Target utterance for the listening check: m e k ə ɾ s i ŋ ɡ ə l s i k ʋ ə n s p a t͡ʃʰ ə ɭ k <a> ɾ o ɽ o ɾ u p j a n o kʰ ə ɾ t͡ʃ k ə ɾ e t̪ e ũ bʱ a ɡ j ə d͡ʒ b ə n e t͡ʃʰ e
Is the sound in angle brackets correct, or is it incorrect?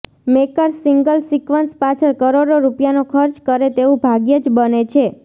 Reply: incorrect